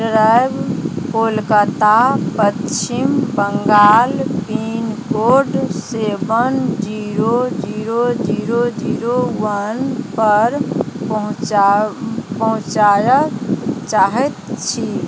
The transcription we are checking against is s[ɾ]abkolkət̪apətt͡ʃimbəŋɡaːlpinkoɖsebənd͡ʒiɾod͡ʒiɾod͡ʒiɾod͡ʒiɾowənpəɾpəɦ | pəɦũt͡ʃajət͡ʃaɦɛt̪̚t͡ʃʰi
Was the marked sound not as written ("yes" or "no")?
no